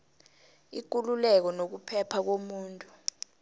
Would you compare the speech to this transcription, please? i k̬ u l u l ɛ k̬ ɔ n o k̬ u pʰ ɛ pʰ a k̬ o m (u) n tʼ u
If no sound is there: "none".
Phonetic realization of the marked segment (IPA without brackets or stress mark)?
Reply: uː